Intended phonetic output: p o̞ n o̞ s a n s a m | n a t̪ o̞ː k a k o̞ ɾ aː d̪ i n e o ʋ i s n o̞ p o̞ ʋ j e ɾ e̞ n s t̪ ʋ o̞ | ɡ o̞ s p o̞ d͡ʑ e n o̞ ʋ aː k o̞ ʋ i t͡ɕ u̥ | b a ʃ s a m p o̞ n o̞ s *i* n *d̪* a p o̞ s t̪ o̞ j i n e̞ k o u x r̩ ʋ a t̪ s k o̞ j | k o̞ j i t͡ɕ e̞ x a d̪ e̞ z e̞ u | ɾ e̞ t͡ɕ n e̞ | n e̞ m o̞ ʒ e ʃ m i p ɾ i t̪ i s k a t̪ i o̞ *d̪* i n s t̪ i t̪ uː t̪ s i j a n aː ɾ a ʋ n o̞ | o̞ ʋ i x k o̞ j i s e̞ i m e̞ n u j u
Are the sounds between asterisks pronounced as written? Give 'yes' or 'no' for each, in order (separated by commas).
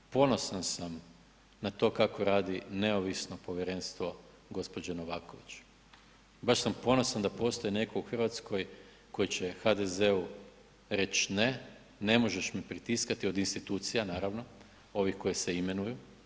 no, yes, yes